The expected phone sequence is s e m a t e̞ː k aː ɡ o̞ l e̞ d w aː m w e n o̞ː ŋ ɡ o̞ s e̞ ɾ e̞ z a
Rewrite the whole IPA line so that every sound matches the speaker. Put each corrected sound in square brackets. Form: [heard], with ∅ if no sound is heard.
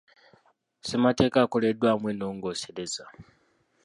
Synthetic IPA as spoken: s e m a t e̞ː k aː [k] o̞ l e̞ d w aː m w e n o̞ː ŋ ɡ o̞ s e̞ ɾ e̞ z a